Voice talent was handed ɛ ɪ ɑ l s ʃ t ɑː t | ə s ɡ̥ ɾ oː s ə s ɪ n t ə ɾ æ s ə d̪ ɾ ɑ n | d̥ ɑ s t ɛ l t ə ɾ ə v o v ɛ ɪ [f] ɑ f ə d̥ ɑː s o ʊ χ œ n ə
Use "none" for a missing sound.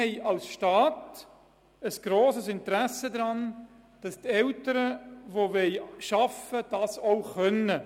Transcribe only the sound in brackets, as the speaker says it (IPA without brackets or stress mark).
ʃ